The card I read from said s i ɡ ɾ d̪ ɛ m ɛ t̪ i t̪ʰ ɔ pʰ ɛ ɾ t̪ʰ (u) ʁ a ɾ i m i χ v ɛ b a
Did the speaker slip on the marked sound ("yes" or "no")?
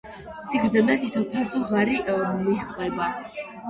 yes